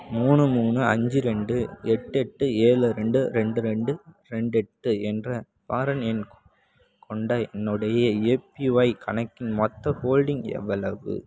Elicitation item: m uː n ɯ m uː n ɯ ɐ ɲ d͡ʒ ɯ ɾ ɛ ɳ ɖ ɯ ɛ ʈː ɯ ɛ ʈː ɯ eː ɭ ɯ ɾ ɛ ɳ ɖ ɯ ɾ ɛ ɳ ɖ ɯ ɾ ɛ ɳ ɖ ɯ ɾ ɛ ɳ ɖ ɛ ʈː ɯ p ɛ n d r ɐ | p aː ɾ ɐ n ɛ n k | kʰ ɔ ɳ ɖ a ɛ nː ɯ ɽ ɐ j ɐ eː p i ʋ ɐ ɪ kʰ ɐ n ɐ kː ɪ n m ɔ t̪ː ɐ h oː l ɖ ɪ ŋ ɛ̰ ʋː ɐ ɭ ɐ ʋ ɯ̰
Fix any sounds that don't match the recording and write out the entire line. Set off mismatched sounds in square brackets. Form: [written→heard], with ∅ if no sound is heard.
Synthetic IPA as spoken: m uː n ɯ m uː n ɯ ɐ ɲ d͡ʒ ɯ ɾ ɛ ɳ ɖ ɯ ɛ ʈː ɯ ɛ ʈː ɯ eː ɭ ɯ ɾ ɛ ɳ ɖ ɯ ɾ ɛ ɳ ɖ ɯ ɾ ɛ ɳ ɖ ɯ ɾ ɛ ɳ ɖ ɛ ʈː ɯ [p→∅] ɛ n d r ɐ | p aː ɾ ɐ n ɛ n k | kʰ ɔ ɳ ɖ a ɛ nː ɯ ɽ ɐ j ɐ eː p i ʋ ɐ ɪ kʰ ɐ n ɐ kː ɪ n m ɔ t̪ː ɐ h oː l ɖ ɪ ŋ ɛ̰ ʋː ɐ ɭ ɐ ʋ ɯ̰